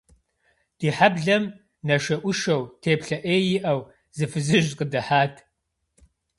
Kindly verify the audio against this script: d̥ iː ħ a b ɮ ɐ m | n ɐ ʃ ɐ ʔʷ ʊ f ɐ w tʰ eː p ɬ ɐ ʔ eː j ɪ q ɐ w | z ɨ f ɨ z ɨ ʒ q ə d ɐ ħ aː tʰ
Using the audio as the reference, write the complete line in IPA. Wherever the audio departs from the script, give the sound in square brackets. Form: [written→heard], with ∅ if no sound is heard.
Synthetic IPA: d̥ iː ħ a b ɮ ɐ m | n ɐ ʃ ɐ ʔʷ ʊ [f→ʃ] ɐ w tʰ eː p ɬ ɐ ʔ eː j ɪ [q→ʔ] ɐ w | z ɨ f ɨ z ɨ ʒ q ə d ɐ ħ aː tʰ